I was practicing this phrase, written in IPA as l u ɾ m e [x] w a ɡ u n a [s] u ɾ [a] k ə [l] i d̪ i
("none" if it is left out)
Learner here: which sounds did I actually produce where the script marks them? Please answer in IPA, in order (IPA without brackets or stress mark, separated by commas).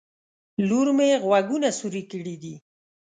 ɣ, s, i, ɽ